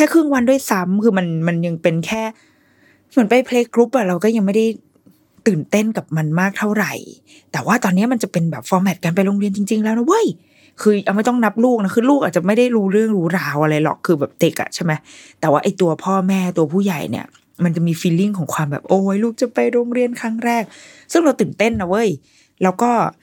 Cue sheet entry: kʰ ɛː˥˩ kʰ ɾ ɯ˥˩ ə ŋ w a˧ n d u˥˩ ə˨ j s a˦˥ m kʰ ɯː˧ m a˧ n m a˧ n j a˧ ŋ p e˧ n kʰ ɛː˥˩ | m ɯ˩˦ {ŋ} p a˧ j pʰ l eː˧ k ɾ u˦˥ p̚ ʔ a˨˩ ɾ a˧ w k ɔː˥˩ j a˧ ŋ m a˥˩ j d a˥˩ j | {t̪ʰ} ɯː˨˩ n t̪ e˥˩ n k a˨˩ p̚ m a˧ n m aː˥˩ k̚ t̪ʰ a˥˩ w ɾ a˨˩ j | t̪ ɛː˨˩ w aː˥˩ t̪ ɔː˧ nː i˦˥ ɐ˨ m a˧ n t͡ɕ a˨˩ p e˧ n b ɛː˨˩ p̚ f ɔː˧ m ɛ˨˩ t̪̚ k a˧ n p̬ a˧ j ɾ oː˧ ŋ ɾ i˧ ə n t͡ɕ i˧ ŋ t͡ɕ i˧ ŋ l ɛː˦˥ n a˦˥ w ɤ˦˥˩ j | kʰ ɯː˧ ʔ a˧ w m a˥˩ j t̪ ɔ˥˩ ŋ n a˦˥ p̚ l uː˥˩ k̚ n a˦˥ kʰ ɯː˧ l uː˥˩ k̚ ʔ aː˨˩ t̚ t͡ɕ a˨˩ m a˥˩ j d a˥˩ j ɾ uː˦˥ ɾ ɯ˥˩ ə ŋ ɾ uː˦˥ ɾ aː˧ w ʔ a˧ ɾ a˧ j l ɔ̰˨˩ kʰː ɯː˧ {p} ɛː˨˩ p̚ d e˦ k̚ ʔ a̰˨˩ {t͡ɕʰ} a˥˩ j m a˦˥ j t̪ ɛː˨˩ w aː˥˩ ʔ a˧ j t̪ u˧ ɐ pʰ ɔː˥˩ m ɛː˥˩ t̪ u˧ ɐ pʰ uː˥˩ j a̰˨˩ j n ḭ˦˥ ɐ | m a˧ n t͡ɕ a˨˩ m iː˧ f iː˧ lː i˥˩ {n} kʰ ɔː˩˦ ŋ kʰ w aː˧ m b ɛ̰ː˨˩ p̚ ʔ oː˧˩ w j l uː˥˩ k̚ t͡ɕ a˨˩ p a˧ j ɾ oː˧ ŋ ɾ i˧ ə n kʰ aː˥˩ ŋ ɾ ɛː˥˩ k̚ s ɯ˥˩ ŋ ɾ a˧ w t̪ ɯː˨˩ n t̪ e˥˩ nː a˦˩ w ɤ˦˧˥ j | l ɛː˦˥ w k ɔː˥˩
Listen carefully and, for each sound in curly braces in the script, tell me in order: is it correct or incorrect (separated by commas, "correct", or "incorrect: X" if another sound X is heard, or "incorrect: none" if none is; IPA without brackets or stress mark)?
incorrect: n, incorrect: t̪, incorrect: b, correct, incorrect: ŋ